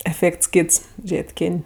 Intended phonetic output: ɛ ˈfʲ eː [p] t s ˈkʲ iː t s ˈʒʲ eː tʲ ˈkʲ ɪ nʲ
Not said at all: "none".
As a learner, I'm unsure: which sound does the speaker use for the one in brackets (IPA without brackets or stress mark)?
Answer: k